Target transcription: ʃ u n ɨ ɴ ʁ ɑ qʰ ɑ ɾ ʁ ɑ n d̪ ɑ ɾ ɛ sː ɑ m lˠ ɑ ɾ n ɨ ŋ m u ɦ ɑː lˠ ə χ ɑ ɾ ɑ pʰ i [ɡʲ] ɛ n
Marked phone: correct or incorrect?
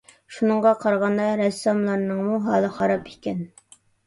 incorrect